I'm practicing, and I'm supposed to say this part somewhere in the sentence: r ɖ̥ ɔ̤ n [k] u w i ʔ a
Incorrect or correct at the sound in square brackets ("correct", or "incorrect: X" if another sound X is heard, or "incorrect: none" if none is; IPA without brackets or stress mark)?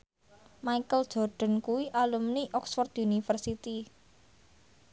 correct